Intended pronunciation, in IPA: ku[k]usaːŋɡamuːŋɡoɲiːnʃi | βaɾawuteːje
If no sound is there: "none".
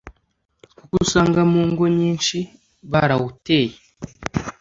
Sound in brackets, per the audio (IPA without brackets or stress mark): k